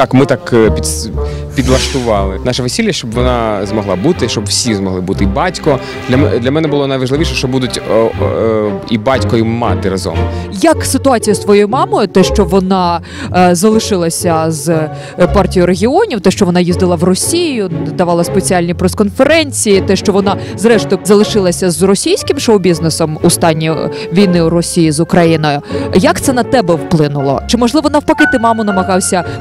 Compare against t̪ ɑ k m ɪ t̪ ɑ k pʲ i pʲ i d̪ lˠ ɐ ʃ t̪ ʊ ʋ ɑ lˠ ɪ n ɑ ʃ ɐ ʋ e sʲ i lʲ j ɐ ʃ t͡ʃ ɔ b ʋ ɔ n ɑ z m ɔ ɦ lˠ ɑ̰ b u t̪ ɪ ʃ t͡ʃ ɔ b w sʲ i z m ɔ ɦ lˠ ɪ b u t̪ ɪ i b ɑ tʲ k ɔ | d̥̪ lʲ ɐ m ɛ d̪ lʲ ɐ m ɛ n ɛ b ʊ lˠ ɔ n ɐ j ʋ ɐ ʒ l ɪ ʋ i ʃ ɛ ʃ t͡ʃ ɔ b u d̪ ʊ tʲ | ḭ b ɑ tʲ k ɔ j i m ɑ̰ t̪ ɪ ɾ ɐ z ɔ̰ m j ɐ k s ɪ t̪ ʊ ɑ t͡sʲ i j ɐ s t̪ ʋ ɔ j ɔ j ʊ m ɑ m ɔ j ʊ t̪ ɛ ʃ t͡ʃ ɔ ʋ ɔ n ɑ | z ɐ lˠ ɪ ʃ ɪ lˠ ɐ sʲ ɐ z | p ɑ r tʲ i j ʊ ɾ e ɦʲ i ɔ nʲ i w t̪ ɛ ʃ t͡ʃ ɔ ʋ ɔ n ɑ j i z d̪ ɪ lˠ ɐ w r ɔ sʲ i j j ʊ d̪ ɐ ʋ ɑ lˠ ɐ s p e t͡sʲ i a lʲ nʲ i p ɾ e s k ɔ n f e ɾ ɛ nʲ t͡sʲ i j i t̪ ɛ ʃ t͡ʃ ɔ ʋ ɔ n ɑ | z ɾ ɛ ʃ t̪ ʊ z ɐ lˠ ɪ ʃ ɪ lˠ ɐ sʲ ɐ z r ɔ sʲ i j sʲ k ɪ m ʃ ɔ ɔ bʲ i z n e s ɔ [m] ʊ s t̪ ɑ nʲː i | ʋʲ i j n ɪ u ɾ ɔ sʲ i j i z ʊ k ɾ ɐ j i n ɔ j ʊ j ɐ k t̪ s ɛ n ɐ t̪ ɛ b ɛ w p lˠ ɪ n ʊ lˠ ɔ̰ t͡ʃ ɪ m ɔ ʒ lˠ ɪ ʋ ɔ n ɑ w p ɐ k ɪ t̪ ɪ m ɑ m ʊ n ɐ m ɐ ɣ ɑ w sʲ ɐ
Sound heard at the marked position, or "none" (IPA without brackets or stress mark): m